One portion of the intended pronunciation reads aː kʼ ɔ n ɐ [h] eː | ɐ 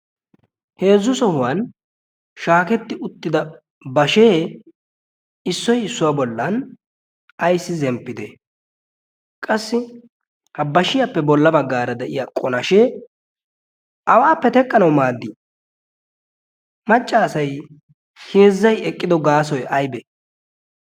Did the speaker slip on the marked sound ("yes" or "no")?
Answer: yes